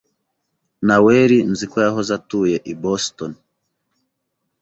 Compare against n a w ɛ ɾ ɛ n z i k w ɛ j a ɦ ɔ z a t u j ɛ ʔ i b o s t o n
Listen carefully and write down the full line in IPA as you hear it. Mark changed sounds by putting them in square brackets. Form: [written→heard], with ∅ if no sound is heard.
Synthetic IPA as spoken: n a w ɛ ɾ [ɛ→i] n z i k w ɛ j a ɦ ɔ z a t u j ɛ ʔ i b [o→ɔ] s t [o→ɔ] n